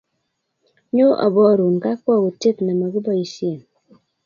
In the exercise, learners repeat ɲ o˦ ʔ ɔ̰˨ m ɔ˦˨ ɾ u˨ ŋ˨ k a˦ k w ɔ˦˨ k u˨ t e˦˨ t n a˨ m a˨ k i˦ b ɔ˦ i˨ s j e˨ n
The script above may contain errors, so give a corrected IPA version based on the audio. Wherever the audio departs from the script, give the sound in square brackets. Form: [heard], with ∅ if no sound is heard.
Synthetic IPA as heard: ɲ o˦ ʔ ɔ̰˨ [b] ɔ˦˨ ɾ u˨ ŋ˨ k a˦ k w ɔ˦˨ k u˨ t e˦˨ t n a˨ m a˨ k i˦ b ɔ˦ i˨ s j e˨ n